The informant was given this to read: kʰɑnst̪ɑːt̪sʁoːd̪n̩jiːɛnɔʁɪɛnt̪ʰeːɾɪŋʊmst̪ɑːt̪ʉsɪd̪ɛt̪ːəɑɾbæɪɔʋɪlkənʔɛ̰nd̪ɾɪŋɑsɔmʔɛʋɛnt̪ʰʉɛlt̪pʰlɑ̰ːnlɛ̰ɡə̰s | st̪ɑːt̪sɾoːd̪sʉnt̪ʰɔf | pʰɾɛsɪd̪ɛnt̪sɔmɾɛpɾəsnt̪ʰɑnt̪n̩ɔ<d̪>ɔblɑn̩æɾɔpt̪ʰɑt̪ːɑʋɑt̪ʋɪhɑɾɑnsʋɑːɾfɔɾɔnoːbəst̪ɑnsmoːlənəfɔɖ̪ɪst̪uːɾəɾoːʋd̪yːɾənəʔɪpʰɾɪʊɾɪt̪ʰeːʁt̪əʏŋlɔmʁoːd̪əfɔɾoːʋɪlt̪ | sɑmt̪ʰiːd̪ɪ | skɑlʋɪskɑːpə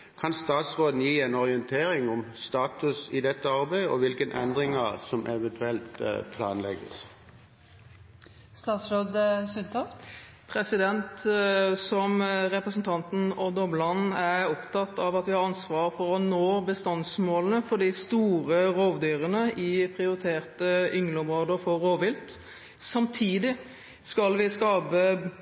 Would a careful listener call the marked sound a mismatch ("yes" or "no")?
no